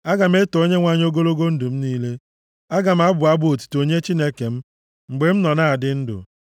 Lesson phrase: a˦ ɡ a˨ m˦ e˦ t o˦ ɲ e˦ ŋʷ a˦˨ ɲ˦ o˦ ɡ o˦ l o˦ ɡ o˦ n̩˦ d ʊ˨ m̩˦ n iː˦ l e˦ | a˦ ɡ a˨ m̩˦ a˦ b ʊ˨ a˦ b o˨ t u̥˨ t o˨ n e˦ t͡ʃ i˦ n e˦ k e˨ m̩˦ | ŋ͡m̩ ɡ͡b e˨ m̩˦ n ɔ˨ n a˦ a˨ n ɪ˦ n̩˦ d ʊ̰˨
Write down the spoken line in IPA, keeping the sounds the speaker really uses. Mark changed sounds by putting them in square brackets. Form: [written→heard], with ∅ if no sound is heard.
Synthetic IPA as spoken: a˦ ɡ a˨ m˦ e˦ t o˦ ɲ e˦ ŋʷ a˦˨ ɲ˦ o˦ ɡ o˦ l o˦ ɡ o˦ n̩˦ d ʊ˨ m̩˦ n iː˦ l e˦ | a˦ ɡ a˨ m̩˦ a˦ b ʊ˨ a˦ b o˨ t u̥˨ t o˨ [n→ɲ] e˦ t͡ʃ i˦ n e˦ k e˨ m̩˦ | ŋ͡m̩ ɡ͡b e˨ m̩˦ n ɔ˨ n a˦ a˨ [n→d] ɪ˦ n̩˦ d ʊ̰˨